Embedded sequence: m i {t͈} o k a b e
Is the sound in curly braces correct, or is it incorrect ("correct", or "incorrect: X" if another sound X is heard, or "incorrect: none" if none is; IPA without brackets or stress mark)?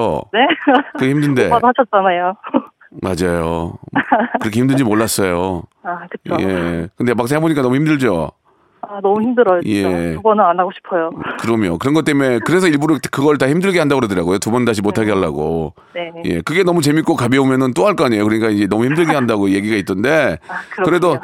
incorrect: k͈